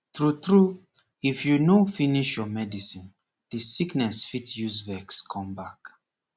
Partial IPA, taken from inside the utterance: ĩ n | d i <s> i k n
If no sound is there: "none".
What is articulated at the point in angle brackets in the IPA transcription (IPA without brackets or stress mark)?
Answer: s